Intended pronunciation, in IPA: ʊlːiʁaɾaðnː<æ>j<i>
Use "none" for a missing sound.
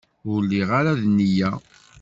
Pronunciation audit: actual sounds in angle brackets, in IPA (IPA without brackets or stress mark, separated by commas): i, æ